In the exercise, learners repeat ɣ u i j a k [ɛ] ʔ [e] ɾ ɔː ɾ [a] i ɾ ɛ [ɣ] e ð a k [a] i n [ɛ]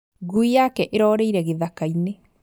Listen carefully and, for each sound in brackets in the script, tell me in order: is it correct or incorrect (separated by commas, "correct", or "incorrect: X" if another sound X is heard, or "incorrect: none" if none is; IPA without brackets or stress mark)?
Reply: correct, correct, incorrect: e, correct, correct, incorrect: e